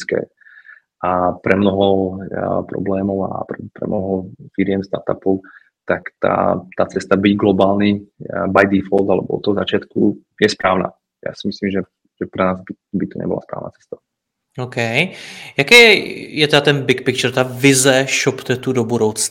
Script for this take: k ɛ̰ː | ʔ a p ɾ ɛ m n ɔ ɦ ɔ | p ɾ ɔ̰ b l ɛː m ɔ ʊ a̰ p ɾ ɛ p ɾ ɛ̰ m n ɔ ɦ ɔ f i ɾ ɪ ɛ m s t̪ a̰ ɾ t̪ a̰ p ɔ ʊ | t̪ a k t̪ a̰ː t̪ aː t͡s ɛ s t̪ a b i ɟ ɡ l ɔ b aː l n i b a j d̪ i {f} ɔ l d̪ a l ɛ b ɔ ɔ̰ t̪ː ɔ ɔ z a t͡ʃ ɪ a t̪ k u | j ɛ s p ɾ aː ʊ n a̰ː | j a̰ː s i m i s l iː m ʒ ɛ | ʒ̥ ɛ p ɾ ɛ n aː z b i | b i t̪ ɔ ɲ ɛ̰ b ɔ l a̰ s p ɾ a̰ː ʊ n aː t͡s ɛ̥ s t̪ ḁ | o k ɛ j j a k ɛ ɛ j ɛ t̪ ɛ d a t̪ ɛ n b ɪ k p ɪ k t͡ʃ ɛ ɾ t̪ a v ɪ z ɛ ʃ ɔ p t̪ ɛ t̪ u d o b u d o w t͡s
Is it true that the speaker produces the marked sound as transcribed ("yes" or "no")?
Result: yes